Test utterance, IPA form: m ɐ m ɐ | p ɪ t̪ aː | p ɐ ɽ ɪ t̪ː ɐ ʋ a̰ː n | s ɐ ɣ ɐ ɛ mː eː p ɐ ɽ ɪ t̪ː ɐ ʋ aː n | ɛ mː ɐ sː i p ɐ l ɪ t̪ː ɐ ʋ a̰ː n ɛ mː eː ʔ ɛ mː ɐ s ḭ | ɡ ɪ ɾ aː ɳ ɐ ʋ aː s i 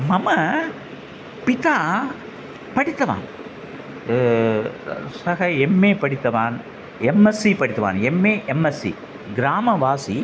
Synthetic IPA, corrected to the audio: m ɐ m ɐ | p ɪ t̪ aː | p ɐ ɽ ɪ t̪ː ɐ ʋ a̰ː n | s ɐ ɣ ɐ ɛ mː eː p ɐ ɽ ɪ t̪ː ɐ ʋ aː n | ɛ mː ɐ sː i p ɐ ɽ ɪ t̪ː ɐ ʋ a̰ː n ɛ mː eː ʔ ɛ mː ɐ s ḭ | ɡ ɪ ɾ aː m ɐ ʋ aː s i